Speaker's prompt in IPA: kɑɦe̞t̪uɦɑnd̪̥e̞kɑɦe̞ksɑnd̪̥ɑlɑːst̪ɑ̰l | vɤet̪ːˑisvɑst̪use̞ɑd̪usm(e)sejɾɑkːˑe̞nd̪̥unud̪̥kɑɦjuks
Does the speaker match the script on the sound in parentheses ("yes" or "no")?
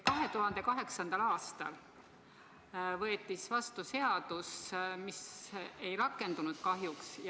no